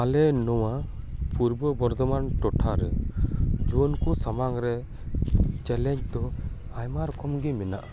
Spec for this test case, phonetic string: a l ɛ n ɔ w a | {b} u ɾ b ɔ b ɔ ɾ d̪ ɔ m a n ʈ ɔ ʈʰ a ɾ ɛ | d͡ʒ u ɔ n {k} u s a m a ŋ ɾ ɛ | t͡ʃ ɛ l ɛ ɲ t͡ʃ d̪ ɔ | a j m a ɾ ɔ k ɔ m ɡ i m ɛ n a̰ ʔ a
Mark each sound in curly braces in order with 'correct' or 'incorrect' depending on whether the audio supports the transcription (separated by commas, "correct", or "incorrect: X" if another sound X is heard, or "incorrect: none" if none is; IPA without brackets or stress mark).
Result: incorrect: p, correct